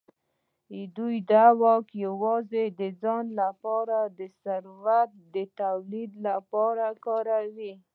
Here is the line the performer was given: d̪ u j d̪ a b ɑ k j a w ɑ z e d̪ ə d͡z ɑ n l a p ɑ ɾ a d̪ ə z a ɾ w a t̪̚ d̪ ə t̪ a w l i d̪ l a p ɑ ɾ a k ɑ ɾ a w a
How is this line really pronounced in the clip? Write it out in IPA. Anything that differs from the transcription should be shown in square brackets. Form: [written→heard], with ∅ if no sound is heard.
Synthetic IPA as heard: d̪ u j d̪ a [b→w] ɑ k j a w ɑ z e d̪ ə d͡z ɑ n l a p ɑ ɾ a d̪ ə [z→s] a ɾ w a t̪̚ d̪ ə t̪ a w l i d̪ l a p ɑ ɾ a k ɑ ɾ a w [a→i]

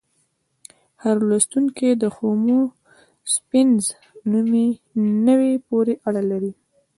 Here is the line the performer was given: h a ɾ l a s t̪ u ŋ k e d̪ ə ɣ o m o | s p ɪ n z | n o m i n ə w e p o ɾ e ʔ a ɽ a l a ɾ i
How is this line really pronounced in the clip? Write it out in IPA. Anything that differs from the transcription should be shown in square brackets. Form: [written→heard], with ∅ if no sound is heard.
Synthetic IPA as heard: h a ɾ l a s t̪ u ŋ k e d̪ ə [ɣ→x] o m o | s p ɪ n z | n [o→u] m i n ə w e p o ɾ e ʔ a ɽ a l a ɾ i

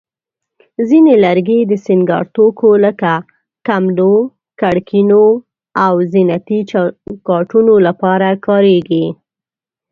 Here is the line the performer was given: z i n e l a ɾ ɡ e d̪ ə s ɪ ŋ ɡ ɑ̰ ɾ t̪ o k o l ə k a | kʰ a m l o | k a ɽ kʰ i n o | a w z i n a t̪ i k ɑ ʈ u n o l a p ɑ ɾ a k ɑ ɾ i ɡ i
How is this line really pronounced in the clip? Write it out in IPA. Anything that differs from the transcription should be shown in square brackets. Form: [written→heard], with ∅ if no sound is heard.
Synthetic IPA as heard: z i n e l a ɾ ɡ e d̪ ə s ɪ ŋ ɡ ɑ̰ ɾ t̪ o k o l ə k a | [kʰ→k] a m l o | k a ɽ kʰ i n o | a w z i n a t̪ i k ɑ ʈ u n o l a p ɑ ɾ a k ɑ ɾ [i→e] ɡ i

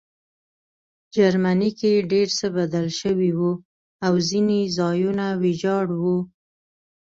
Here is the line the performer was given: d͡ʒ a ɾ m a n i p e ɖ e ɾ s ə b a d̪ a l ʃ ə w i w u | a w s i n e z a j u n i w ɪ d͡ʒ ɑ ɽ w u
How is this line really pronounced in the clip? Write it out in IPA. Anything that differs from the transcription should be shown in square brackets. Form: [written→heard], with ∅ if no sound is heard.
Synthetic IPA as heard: d͡ʒ a ɾ m a n i [p→k] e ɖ e ɾ s ə b a d̪ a l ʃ ə w i w u | a w [s→z] i n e z [a→ɑ] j u n [i→a] w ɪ d͡ʒ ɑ ɽ w u

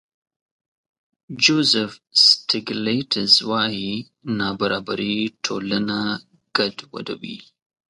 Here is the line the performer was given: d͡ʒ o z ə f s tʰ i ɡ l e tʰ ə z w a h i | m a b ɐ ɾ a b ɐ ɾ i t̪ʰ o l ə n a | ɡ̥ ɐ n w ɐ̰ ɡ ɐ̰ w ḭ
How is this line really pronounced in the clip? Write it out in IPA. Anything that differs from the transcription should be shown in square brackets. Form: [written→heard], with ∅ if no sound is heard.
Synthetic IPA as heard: d͡ʒ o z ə f s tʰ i ɡ l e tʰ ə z w a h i | [m→n] a b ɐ ɾ a b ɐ ɾ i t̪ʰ o l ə n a | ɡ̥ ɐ [n→d] w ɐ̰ [ɡ→d] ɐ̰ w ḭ

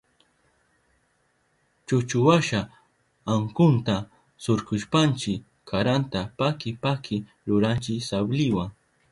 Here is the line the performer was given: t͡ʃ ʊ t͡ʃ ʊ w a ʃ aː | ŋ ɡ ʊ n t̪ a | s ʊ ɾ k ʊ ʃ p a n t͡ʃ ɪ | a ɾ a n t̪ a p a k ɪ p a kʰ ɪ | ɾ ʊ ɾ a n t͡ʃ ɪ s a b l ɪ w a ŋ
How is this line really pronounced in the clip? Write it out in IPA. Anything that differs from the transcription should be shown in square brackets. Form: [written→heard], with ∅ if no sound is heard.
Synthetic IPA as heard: t͡ʃ ʊ t͡ʃ ʊ w a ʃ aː | ŋ [ɡ→k] ʊ n t̪ a | s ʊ ɾ k ʊ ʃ p a n t͡ʃ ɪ | a ɾ a n t̪ a p a k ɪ p a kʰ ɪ | ɾ ʊ ɾ a n t͡ʃ ɪ s a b l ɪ w a ŋ

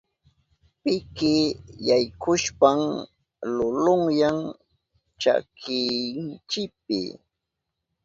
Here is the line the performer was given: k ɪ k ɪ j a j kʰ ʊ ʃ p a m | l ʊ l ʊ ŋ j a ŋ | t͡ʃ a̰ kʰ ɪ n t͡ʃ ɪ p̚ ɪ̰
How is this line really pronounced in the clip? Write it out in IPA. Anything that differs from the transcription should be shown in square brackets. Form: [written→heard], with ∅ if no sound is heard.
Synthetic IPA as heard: [k→p] ɪ k ɪ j a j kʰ ʊ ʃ p a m | l ʊ l ʊ ŋ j a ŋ | t͡ʃ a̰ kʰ ɪ n t͡ʃ ɪ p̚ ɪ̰

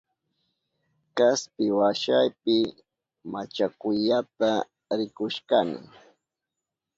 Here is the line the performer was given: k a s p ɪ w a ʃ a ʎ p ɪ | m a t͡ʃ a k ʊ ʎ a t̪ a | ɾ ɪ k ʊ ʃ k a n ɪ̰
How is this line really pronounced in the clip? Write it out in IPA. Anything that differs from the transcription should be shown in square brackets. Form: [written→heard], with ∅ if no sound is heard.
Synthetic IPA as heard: k a s p ɪ w a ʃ a [ʎ→j] p ɪ | m a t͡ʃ a k ʊ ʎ a t̪ a | ɾ ɪ k ʊ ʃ k a n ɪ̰

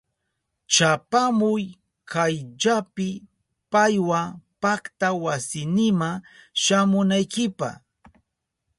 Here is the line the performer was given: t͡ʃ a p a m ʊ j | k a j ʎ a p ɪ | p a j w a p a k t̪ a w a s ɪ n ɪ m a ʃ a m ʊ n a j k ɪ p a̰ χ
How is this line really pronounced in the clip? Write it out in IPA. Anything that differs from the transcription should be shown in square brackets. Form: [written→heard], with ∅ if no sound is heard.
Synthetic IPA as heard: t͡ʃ a p a m ʊ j | k a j ʎ a p ɪ | p a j w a p a k t̪ a w a s ɪ n ɪ m a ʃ a m ʊ n a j k ɪ p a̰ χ

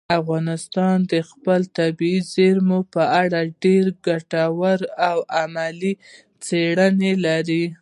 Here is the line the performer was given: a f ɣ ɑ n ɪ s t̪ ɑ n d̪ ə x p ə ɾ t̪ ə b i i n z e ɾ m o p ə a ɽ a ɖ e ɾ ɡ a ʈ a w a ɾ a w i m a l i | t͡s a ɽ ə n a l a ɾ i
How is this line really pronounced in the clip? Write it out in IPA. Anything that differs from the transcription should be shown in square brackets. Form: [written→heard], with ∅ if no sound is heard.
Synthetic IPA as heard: a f ɣ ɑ n ɪ s t̪ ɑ n d̪ ə x p ə [ɾ→l] t̪ [ə→a] b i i [n→∅] z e ɾ m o p ə a ɽ a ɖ e ɾ ɡ a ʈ a w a ɾ a w [i→a] m a l i | t͡s [a→e] ɽ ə n [a→e] l a ɾ i

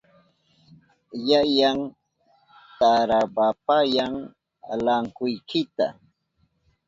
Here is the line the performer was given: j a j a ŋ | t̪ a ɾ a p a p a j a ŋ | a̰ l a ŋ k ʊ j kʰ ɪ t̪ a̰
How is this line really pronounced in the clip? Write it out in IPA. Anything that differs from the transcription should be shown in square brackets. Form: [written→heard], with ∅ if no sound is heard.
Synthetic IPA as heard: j a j a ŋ | t̪ a ɾ a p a p a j a ŋ | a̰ l a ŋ k ʊ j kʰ ɪ t̪ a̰

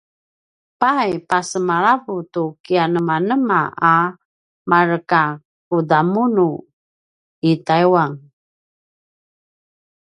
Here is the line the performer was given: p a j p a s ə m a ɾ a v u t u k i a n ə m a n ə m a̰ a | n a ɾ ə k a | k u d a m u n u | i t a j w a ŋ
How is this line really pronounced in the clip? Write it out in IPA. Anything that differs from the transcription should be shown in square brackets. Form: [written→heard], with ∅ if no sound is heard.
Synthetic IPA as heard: p a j p a s ə m a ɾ a v u t u k i a n ə m a n ə m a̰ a | [n→m] a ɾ ə k a | k u d a m u n u | i t a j w a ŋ

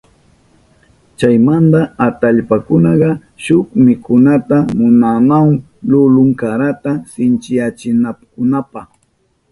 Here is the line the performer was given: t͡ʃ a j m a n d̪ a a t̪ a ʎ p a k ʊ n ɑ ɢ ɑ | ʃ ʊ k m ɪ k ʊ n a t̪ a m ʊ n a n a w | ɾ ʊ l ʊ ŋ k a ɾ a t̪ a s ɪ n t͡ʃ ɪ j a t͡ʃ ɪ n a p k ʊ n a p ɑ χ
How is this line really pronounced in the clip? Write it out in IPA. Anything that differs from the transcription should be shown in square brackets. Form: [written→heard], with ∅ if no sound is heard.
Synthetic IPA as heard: t͡ʃ a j m a n d̪ a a t̪ a ʎ p a k ʊ n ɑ ɢ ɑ | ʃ ʊ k m ɪ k ʊ n a t̪ a m ʊ n a n a w | [ɾ→l] ʊ l ʊ ŋ k a ɾ a t̪ a s ɪ n t͡ʃ ɪ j a t͡ʃ ɪ n a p k ʊ n a p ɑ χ

